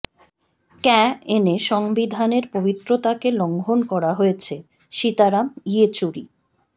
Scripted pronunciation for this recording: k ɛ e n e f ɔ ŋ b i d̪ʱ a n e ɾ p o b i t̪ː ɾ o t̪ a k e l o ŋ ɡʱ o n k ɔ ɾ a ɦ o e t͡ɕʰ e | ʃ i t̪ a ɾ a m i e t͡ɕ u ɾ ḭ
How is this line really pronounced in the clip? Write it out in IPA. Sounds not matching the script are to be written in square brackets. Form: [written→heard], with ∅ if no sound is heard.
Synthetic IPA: k ɛ e n e [f→ʃ] ɔ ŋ b i d̪ʱ a n e ɾ p o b i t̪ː ɾ o t̪ a k e l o ŋ ɡʱ o n k ɔ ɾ a ɦ o e t͡ɕʰ e | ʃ i t̪ a ɾ a m i e t͡ɕ u ɾ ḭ